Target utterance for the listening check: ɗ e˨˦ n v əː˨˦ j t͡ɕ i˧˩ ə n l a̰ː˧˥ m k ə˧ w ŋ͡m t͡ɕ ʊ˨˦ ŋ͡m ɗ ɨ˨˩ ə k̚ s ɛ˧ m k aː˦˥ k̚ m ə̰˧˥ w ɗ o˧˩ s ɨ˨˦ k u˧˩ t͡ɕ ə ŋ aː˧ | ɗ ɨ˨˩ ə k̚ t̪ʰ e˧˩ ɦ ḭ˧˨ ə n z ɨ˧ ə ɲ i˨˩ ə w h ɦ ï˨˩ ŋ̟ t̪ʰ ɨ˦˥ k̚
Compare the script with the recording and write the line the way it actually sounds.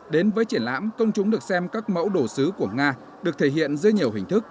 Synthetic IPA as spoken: ɗ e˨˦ n v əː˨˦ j t͡ɕ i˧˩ ə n l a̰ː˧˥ m k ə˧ w ŋ͡m t͡ɕ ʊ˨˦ ŋ͡m ɗ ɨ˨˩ ə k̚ s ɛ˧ m k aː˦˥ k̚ m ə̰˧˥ w ɗ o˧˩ s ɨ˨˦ k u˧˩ ə ŋ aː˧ | ɗ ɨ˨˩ ə k̚ t̪ʰ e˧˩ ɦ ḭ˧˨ ə n z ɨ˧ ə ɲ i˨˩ ə w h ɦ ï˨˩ ŋ̟ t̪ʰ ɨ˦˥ k̚

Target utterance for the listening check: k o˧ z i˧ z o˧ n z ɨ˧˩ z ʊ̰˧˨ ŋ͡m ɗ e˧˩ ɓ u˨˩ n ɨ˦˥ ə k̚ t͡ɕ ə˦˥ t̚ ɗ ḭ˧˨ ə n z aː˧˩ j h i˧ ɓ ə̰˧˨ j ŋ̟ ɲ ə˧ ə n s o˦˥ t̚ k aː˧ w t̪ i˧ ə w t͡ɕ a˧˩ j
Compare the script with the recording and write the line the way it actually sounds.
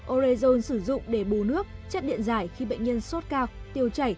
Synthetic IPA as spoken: ʔ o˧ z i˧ z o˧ n s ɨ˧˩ z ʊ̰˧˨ ŋ͡m ɗ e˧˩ ɓ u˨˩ n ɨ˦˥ ə k̚ t͡ɕ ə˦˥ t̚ ɗ ḭ˧˨ ə n z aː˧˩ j x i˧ ɓ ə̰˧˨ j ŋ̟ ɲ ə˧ ə n s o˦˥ t̚ k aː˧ w t̪ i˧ ə w t͡ɕ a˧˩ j

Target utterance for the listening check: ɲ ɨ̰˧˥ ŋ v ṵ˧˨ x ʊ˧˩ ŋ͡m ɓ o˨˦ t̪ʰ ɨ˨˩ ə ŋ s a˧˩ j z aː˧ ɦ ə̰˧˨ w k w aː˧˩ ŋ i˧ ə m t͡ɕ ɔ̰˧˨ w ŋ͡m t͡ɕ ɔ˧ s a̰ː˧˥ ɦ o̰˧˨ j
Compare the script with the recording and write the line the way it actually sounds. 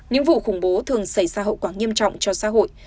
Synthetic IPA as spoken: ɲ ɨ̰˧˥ ŋ v ṵ˧˨ x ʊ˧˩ ŋ͡m ɓ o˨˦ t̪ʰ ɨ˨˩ ə ŋ s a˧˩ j z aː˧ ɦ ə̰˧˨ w k w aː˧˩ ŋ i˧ ə m t͡ɕ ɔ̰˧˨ w ŋ͡m t͡ɕ ɔ˧ s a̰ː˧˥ ɦ o̰˧˨ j

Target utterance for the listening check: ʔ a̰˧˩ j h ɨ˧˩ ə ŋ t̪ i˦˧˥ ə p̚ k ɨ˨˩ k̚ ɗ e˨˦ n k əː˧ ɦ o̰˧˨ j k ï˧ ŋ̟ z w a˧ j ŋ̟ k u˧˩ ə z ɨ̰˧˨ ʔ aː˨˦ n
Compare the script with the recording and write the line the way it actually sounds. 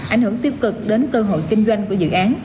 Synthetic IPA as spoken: ʔ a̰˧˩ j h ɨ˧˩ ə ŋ t̪ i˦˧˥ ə p̚ k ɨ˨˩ k̚ ɗ e˨˦ n k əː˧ ɦ o̰˧˨ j k ï˧ ŋ̟ z w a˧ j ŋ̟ k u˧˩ ə z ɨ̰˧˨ ʔ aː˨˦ n

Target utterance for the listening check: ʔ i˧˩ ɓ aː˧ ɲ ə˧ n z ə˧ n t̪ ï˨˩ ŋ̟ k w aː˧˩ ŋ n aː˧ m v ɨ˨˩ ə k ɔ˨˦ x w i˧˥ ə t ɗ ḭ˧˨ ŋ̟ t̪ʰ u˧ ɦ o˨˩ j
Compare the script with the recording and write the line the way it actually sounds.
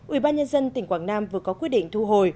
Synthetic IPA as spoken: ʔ i˧˩ ɓ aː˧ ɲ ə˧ n z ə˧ n t̪ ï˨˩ ŋ̟ k w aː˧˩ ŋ n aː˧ m v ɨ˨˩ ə k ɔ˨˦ k w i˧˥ ə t ɗ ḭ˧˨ ŋ̟ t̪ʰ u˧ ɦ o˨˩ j

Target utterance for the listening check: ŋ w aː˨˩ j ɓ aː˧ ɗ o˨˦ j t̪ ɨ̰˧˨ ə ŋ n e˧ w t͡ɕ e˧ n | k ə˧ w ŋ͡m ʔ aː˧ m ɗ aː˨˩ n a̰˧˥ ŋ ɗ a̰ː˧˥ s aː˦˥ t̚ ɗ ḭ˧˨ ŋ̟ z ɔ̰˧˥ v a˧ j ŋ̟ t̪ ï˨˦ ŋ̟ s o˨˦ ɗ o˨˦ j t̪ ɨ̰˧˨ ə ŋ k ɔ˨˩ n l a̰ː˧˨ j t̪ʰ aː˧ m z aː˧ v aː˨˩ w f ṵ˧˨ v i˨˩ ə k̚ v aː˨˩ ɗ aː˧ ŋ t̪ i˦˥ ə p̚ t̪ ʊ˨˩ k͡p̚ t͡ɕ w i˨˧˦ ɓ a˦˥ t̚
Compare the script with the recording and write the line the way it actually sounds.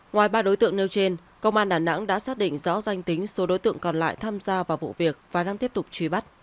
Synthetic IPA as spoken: ŋ w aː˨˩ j ɓ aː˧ ɗ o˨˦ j t̪ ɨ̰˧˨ ə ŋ n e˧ w t͡ɕ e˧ n | k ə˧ w ŋ͡m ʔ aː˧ n ɗ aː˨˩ n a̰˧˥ ŋ ɗ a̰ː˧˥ s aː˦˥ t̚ ɗ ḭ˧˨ ŋ̟ z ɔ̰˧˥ z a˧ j ŋ̟ t̪ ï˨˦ ŋ̟ s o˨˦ ɗ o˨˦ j t̪ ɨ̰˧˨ ə ŋ k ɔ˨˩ n l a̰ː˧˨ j t̪ʰ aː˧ m z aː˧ v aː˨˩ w v ṵ˧˨ v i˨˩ ə k̚ v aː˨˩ ɗ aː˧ ŋ t̪ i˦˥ ə p̚ t̪ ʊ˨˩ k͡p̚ t͡ɕ w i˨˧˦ ɓ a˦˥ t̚

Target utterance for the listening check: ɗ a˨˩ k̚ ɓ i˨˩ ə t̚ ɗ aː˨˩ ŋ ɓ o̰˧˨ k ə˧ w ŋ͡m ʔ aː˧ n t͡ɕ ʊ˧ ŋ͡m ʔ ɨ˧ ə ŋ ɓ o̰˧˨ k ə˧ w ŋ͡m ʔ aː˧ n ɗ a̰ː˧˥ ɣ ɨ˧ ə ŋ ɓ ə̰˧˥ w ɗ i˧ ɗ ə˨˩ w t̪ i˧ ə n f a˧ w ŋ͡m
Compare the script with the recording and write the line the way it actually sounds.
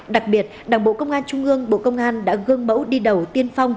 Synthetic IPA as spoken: ɗ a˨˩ k̚ ɓ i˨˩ ə t̚ ɗ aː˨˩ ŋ ɓ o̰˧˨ k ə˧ w ŋ͡m ʔ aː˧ n t͡ɕ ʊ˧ ŋ͡m ʔ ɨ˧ ə ŋ ɓ o̰˧˨ k ə˧ w ŋ͡m ʔ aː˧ n ɗ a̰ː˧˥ ɣ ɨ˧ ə ŋ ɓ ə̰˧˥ w ɗ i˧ ɗ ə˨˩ w t̪ i˧ ə n f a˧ w ŋ͡m

